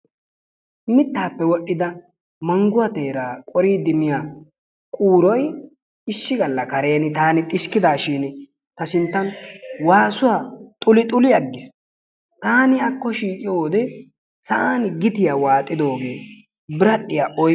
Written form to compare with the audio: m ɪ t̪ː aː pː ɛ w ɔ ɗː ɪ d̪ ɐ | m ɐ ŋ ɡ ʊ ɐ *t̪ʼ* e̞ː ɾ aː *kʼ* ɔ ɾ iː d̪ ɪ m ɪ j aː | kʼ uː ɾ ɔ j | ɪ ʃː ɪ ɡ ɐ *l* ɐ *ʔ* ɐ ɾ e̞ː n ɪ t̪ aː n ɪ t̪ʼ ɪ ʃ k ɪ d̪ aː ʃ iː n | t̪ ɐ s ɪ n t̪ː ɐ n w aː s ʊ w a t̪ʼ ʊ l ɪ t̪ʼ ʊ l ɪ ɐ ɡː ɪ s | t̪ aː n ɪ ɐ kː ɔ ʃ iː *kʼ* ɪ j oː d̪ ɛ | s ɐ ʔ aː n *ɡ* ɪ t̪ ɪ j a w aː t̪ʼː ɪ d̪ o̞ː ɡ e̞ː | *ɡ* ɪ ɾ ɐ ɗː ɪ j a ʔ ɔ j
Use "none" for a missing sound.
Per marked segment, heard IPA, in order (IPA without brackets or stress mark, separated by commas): t̪, kʼ, lː, k, kʼ, ɡ, b